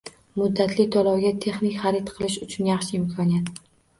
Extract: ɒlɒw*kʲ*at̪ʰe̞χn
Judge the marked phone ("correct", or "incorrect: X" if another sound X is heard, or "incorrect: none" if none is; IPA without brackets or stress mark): incorrect: ɡʲ